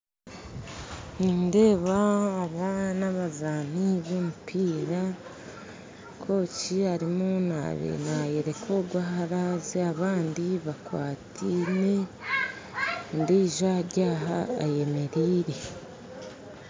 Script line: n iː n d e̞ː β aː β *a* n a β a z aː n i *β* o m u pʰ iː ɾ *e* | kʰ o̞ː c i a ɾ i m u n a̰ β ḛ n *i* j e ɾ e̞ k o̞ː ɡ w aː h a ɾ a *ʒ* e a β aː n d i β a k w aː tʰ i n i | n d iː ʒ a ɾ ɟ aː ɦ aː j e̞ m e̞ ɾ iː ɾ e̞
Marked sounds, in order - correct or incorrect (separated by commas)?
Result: correct, correct, incorrect, incorrect, incorrect